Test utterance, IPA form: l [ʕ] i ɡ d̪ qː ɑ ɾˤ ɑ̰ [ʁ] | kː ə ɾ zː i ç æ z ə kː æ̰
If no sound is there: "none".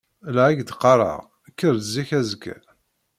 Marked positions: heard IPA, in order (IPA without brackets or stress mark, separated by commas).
ʕ, ʁ